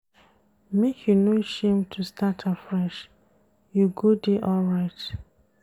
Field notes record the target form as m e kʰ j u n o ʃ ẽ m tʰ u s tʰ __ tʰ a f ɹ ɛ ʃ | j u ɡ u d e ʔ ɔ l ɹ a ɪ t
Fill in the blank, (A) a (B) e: A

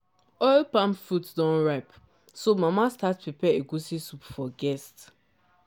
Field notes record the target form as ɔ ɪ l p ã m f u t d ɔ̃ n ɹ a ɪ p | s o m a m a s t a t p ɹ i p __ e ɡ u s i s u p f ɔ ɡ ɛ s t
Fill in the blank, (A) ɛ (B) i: A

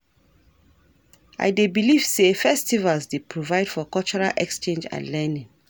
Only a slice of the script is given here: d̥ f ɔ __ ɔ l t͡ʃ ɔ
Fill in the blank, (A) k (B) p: A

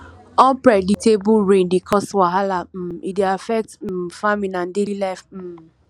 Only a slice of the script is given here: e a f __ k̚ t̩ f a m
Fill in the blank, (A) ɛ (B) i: A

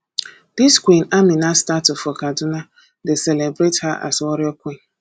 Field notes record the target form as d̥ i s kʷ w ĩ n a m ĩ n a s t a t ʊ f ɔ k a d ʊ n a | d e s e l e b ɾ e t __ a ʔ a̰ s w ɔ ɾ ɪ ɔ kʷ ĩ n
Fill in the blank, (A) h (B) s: A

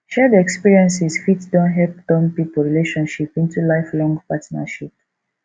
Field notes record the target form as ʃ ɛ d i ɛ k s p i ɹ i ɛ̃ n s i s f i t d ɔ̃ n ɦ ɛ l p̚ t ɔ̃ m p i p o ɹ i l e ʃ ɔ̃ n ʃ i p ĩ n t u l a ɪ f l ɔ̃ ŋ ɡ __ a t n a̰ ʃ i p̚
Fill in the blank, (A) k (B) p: B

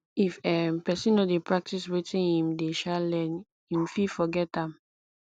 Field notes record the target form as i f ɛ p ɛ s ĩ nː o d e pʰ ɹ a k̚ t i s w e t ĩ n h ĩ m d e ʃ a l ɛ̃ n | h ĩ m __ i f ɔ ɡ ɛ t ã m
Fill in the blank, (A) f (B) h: A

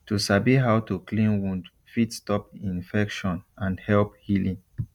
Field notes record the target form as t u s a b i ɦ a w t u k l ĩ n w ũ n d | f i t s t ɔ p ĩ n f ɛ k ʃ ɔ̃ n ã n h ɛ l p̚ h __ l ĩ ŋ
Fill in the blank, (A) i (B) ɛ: A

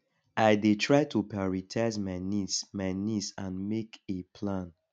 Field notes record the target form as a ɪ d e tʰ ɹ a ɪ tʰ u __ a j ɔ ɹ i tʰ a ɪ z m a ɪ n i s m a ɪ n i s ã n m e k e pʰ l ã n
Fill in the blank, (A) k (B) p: B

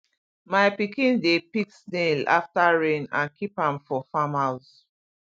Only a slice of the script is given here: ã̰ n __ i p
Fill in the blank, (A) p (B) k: B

